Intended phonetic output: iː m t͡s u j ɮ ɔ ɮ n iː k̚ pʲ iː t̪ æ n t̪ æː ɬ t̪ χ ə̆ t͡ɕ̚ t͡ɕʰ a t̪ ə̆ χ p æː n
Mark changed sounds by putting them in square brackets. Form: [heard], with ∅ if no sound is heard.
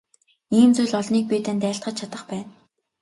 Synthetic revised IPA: iː m t͡s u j ɮ ɔ ɮ n iː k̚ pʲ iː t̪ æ n t̪ æː ɬ t̪ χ ə̆ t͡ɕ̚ t͡ɕʰ a t̪ ə̆ χ p æː n